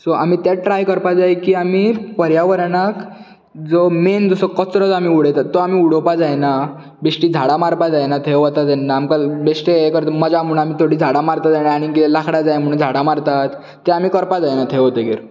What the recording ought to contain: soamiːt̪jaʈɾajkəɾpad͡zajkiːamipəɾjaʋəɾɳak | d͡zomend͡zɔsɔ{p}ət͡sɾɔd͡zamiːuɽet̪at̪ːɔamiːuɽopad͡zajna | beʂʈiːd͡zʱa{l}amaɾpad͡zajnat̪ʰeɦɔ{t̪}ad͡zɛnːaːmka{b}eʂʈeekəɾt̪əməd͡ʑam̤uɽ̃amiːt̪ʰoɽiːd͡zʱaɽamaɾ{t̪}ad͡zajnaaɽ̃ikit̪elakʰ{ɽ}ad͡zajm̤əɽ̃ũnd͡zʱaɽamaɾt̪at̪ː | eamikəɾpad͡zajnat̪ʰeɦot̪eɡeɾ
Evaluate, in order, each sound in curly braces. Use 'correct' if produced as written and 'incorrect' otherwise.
incorrect, incorrect, correct, correct, correct, correct

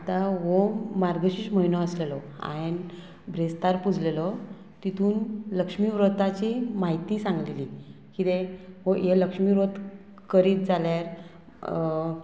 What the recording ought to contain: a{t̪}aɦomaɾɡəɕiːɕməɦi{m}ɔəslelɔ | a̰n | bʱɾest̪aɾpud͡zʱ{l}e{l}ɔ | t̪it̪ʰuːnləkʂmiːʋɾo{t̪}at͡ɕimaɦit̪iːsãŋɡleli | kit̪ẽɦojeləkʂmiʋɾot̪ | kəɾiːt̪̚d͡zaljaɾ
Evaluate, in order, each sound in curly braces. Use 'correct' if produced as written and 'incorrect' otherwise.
correct, incorrect, correct, correct, correct

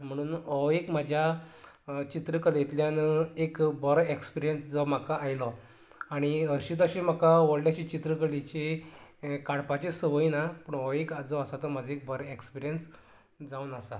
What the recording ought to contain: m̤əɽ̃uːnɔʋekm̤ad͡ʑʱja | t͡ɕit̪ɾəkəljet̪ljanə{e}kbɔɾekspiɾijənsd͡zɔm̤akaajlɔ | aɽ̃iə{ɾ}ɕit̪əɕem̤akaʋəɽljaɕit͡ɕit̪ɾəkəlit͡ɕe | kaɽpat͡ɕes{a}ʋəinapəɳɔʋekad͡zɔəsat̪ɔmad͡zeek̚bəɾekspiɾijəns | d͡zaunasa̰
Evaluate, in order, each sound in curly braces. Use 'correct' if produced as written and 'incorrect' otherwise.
correct, correct, incorrect

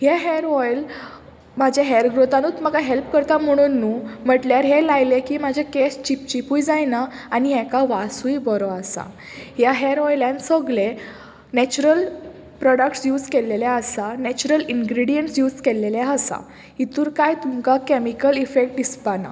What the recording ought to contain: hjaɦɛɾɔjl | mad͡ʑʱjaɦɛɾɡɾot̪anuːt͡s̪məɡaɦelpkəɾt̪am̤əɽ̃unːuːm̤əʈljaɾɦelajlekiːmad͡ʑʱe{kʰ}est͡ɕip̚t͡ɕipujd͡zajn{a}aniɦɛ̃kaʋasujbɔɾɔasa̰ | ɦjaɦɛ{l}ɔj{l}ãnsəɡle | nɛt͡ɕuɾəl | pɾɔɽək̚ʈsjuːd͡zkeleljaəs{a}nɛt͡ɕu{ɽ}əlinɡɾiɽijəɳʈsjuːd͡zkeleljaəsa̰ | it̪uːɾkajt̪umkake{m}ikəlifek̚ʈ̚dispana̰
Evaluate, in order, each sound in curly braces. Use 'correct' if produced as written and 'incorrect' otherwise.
incorrect, correct, incorrect, correct, correct, incorrect, correct

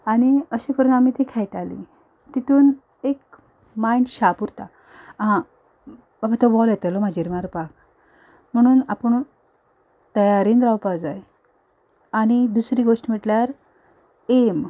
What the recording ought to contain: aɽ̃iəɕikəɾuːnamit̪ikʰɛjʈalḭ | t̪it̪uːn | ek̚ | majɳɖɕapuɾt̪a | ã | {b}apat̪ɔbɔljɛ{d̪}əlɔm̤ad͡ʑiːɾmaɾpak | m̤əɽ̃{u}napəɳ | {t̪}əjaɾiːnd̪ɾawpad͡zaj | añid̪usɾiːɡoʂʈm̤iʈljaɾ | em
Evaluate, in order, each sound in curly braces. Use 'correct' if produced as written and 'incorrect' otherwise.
correct, incorrect, incorrect, correct

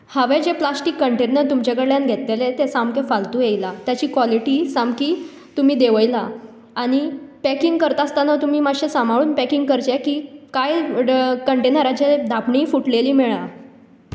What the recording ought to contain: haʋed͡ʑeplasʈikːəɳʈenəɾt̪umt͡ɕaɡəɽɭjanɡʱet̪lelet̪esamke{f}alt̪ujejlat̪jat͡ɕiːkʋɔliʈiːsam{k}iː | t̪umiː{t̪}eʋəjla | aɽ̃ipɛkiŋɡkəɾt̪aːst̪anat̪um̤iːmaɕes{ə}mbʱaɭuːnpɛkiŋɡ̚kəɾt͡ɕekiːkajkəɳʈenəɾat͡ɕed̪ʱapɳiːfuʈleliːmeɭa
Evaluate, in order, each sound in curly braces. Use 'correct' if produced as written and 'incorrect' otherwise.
correct, correct, incorrect, incorrect

